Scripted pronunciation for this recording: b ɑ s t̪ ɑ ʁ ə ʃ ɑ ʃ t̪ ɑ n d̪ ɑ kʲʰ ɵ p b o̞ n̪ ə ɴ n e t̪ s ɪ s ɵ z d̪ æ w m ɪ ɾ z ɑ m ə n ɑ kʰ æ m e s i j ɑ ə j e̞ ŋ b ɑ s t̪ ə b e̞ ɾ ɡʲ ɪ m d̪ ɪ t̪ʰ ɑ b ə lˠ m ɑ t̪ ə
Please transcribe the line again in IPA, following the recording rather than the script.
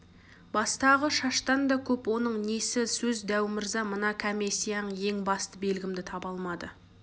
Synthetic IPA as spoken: b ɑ s t̪ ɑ ʁ ə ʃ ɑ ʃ t̪ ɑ n d̪ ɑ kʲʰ ɵ p w o̞ n̪ ə ɴ n e s ɪ s ɵ z d̪ æ w m ɪ ɾ z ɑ m ə n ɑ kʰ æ m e s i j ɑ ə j e̞ ŋ b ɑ s t̪ ə b e̞ l ɡʲ ɪ m d̪ ɪ t̪ʰ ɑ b ɑ lˠ m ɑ d̪ ə